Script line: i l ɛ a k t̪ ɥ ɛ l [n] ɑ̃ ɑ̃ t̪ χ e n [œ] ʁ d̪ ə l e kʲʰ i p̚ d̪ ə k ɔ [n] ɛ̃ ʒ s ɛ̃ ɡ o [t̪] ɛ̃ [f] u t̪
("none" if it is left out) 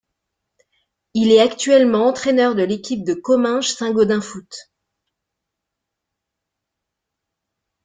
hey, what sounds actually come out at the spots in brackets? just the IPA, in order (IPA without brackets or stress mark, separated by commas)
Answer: m, œ, m, d̪, f